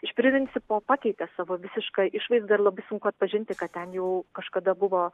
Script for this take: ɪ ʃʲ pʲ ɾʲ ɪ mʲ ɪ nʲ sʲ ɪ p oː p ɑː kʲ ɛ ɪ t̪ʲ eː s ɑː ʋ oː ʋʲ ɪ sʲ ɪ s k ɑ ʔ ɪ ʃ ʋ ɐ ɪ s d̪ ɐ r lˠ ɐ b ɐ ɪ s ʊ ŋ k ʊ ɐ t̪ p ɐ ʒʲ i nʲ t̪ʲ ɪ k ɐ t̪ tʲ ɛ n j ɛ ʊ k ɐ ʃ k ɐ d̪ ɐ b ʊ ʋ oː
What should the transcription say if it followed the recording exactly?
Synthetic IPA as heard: ɪ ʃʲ pʲ ɾʲ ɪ mʲ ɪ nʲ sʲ ɪ p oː p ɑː kʲ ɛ ɪ t̪ʲ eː s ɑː ʋ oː ʋʲ ɪ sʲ ɪ ʃ k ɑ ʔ ɪ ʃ ʋ ɐ ɪ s d̪ ɐ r lˠ ɐ b ɐ ɪ s ʊ ŋ k ʊ ɐ t̪ p ɐ ʒʲ ɪ nʲ t̪ʲ ɪ k ɐ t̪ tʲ ɛ n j ɛ ʊ k ɐ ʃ k ɐ d̪ ɐ b ʊ ʋ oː